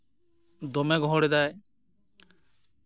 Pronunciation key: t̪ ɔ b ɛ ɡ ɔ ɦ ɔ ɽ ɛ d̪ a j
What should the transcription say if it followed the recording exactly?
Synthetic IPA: d̪ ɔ m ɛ ɡ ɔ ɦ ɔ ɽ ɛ d̪ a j

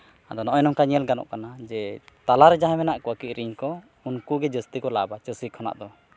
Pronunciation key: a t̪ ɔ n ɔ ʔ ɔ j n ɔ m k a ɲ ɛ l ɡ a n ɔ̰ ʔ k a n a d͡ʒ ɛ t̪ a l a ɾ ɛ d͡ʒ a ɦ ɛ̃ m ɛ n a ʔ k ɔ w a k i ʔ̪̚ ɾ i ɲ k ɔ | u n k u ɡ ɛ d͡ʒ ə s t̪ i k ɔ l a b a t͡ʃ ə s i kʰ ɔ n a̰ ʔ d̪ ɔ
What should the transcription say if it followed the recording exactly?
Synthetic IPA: a d̪ ɔ n ɔ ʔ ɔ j n ɔ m k a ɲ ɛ l ɡ a n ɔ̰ ʔ k a n a d͡ʒ ɛ t̪ a l a ɾ ɛ d͡ʒ a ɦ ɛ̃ m ɛ n a ʔ k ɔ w a k i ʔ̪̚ ɾ i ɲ k ɔ | u n k u ɡ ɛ d͡ʒ ə s t̪ i k ɔ l a b a t͡ʃ ə s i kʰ ɔ n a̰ ʔ d̪ ɔ

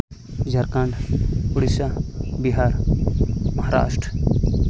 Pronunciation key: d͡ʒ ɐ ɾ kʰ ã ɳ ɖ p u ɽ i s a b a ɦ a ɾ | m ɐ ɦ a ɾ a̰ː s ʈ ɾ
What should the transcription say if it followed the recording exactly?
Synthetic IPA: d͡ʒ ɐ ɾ k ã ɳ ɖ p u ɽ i s a b i ɦ a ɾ | m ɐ ɦ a ɾ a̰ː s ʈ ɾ

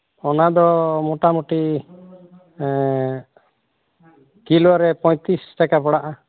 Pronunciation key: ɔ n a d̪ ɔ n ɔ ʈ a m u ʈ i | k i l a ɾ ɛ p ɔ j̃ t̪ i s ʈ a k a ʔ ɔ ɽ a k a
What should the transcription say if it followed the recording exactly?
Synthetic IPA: ɔ n a d̪ ɔ m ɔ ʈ a m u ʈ i | k i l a ɾ ɛ p ɔ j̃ t̪ i s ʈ a k a p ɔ ɽ a ʔ a

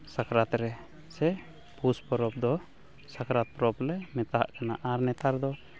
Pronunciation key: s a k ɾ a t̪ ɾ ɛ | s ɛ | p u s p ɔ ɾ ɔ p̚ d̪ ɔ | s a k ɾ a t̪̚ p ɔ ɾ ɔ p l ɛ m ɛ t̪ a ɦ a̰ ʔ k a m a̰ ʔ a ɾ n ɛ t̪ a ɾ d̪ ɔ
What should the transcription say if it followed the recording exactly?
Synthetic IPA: s a k ɾ a t̪ ɾ ɛ | s ɛ | p u s p ɔ ɾ ɔ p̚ d̪ ɔ | s a k ɾ a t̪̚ p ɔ ɾ ɔ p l ɛ m ɛ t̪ a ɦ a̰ ʔ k a n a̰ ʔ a ɾ n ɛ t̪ a ɾ d̪ ɔ

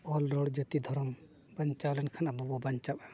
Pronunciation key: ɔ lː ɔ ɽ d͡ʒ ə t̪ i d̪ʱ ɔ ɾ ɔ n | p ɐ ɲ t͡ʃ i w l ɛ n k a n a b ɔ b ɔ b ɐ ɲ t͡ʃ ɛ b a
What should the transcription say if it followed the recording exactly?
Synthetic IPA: ɔ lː ɔ ɽ d͡ʒ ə t̪ i d̪ʱ ɔ ɾ ɔ m | b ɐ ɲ t͡ʃ a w l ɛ n kʰ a n a b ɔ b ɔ b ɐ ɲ t͡ʃ a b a

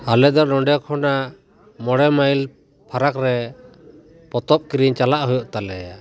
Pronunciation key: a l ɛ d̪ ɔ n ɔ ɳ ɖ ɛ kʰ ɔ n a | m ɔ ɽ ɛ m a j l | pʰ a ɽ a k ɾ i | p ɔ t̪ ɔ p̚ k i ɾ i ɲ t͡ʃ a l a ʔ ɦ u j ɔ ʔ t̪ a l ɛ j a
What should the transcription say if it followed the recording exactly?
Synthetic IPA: a l ɛ d̪ ɔ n ɔ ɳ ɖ ɛ kʰ ɔ n a | m ɔ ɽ ɛ m a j l | pʰ a ɾ a k ɾ ɛ | p ɔ t̪ ɔ p̚ k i ɾ i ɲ t͡ʃ a l a ʔ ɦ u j ɔ ʔ t̪ a l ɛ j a

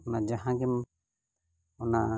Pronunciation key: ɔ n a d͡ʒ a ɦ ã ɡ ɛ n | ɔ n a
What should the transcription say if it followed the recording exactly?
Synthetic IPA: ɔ n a d͡ʒ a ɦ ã ɡ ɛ m | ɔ n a

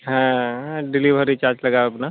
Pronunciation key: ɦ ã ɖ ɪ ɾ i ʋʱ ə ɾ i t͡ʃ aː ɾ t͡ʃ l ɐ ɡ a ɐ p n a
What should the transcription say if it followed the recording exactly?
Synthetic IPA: ɦ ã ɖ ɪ l i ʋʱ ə ɾ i t͡ʃ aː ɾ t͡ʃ l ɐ ɡ a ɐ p n a

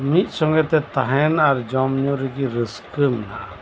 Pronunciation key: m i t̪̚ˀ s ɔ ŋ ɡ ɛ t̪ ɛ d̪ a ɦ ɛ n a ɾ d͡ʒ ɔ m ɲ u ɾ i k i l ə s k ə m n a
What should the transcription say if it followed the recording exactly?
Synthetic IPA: m i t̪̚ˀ s ɔ ŋ ɡ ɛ t̪ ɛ t̪ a ɦ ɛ n a ɾ d͡ʒ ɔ m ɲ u ɾ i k i ɾ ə s k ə m n a

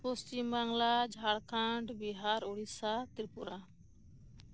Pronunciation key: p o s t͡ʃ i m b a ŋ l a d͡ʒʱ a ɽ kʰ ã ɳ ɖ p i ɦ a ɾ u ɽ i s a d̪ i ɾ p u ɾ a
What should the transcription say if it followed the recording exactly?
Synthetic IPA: p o s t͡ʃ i m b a ŋ l a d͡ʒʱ a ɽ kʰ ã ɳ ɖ b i ɦ a ɾ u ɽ i s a t̪ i ɾ p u ɾ a

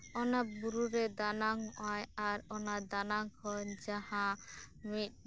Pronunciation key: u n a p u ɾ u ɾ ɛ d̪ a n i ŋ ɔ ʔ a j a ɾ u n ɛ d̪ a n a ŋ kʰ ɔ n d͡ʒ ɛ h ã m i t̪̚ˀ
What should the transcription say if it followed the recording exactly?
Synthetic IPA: ɔ n a b u ɾ u ɾ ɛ d̪ a n a ŋ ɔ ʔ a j a ɾ ɔ n a d̪ a n a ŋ kʰ ɔ n d͡ʒ a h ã m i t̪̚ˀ

